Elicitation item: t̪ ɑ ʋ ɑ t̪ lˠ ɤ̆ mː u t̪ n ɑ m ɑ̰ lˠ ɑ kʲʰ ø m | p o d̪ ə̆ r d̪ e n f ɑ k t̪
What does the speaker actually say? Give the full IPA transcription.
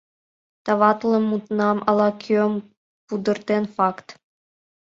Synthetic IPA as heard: t̪ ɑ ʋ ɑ t̪ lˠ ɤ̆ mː u t̪ n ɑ m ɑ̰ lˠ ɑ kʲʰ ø m | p u d̪ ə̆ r t̪ e n f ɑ k t̪